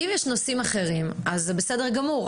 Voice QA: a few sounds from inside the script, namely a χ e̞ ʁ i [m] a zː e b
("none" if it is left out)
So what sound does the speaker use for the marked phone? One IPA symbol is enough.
m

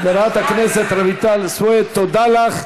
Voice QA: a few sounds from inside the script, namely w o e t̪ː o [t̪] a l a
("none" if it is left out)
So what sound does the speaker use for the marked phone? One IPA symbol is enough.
d̪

